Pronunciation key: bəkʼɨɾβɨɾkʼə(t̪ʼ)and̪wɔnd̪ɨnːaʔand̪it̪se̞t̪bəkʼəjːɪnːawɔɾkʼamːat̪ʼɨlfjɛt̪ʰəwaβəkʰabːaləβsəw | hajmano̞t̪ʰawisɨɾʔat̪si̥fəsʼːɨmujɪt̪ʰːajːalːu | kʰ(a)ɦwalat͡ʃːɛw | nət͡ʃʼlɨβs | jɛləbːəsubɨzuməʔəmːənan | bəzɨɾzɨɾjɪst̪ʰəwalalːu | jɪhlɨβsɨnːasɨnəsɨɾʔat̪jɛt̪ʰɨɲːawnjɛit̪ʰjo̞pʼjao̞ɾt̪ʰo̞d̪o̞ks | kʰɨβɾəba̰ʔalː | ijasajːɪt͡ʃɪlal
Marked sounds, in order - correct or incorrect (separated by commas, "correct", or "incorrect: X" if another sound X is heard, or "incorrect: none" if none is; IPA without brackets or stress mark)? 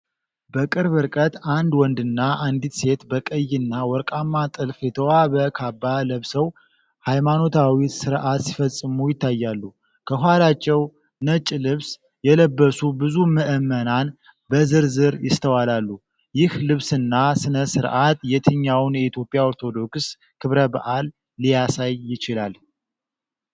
incorrect: t̪, incorrect: ə